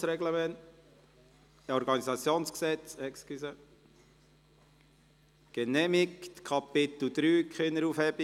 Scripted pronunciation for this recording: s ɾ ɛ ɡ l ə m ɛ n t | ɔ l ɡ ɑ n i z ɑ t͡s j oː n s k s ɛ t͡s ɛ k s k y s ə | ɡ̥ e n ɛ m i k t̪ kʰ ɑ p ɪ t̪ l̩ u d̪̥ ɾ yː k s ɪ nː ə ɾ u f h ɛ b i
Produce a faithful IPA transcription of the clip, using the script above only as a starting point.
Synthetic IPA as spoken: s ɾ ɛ ɡ l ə m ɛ n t | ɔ ɾ ɡ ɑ n i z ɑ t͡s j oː n s k s ɛ t͡s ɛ k s k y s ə | ɡ̥ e n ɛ m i k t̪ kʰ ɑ p ɪ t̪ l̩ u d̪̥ ɾ yː k χ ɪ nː ə ɾ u f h ɛ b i